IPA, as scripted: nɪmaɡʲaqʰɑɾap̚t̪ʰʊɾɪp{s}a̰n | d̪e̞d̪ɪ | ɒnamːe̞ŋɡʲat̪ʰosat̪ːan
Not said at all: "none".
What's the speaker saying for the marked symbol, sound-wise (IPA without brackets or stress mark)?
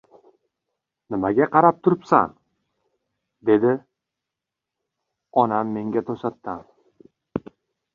s